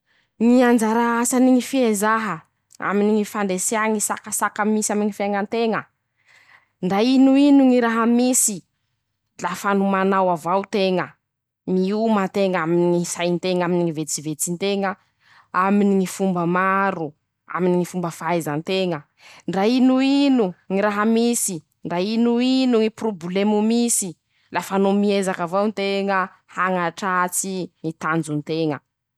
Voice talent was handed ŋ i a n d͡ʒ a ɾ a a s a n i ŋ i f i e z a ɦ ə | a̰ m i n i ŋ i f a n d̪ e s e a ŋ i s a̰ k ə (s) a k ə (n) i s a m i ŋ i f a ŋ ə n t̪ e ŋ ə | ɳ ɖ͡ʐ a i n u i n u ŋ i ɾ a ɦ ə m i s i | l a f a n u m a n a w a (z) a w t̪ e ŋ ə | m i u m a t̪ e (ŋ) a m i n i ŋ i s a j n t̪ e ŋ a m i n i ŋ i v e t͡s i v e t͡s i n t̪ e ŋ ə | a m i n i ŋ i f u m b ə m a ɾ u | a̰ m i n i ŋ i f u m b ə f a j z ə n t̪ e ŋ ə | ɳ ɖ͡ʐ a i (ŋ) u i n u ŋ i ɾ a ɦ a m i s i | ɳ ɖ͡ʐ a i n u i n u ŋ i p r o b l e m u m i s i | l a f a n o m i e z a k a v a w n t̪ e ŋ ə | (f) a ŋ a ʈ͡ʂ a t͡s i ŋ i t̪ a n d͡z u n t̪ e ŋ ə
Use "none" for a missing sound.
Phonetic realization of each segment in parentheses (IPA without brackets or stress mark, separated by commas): s, m, v, ŋ, n, h